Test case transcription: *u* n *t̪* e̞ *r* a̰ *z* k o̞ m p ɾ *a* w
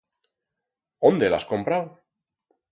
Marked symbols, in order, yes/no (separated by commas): no, no, no, no, yes